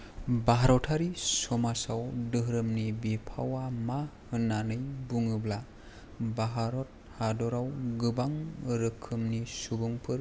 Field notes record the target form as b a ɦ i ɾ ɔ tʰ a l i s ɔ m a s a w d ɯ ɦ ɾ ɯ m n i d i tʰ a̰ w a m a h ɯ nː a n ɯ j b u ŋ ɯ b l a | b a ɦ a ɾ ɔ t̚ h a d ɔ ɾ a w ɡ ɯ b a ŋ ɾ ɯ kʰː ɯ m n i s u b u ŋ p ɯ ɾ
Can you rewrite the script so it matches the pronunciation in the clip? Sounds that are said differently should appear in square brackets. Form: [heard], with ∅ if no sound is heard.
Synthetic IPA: b a ɦ [a] ɾ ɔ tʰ a [ɾ] i s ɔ m a s a w d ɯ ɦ ɾ ɯ m n i [b] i [pʰ] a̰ w a m a h ɯ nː a n ɯ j b u ŋ ɯ b l a | b a ɦ a ɾ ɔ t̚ h a d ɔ ɾ a w ɡ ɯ b a ŋ ɾ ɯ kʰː ɯ m n i s u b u ŋ [pʰ] ɯ ɾ